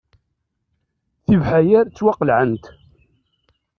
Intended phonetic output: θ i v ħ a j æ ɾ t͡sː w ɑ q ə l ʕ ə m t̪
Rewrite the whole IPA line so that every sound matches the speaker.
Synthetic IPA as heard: θ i v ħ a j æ ɾ t͡sː w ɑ q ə l ʕ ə n t̪